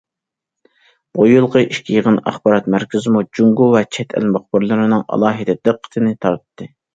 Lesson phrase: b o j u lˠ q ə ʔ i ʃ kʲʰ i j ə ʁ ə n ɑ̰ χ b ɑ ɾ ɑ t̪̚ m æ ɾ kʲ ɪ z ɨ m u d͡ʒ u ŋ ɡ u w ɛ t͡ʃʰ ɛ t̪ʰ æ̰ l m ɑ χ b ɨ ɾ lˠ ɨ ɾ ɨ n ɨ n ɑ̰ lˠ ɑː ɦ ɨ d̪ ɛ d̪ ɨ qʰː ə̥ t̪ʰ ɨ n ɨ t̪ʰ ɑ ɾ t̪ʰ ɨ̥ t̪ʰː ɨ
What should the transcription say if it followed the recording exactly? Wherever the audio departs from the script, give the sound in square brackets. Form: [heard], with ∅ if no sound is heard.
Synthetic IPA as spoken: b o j u lˠ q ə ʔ i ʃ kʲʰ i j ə ʁ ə n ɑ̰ χ b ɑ ɾ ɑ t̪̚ m æ ɾ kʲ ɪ z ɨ m u d͡ʒ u ŋ ɡ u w ɛ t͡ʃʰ ɛ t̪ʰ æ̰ l m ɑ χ b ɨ ɾ lˠ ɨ ɾ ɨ n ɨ [ŋ] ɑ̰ lˠ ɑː ɦ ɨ d̪ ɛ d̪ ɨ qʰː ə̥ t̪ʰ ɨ n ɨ t̪ʰ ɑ ɾ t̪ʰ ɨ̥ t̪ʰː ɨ